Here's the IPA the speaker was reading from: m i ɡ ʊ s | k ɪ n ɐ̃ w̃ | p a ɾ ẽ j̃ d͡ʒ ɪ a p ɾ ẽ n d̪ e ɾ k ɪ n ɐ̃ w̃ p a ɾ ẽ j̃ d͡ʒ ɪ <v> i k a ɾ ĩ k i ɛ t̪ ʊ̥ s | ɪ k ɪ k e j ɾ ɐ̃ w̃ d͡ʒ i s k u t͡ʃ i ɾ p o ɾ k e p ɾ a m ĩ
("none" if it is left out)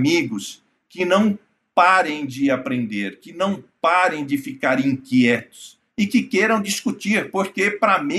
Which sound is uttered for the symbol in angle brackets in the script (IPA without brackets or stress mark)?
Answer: f